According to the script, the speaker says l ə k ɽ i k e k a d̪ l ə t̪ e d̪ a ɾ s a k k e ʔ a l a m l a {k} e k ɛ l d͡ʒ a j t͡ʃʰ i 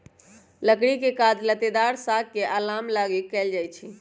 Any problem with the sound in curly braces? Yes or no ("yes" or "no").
yes